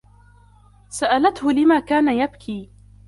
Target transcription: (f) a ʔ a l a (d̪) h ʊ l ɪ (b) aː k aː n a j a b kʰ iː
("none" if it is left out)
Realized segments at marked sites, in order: s, t̪, m

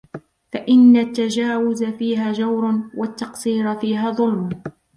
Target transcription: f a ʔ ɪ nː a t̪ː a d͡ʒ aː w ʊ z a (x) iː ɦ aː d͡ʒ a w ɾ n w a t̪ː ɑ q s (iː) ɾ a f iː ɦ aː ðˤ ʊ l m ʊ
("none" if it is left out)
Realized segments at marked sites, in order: f, iː

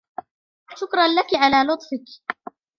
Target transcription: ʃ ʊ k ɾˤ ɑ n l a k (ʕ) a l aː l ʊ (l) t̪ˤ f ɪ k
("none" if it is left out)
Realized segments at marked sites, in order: ʕ, none

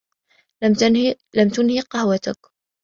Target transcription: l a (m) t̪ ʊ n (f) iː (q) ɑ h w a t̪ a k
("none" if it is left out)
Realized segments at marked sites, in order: m, h, q

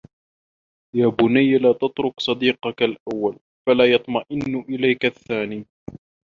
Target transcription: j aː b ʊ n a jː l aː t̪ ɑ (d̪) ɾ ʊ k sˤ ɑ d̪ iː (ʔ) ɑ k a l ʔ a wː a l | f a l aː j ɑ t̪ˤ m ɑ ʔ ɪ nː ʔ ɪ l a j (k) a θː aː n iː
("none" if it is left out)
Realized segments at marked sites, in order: t̪, q, k

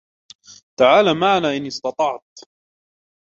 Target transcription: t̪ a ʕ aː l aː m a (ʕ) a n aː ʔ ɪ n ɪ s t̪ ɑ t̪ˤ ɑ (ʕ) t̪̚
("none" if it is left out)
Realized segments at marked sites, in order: ʕ, ʕ

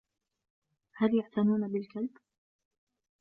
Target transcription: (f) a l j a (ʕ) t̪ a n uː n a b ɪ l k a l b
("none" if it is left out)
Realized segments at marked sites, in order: h, ʕ

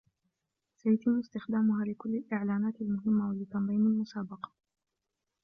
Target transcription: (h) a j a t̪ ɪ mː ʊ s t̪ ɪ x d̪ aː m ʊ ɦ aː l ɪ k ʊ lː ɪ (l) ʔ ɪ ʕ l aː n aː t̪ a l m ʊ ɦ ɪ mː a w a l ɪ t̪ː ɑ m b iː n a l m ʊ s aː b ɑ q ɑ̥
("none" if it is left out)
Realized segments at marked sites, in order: s, l

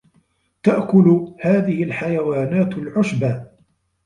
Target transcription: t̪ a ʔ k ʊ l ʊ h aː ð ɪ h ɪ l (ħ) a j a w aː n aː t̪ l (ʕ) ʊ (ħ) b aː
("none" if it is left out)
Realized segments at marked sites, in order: ħ, ʕ, ʃ

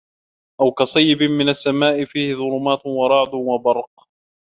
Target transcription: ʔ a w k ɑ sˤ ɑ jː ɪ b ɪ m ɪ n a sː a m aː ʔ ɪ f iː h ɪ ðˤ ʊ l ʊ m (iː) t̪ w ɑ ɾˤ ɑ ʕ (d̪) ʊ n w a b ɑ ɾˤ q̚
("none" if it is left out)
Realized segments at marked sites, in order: aː, d̪

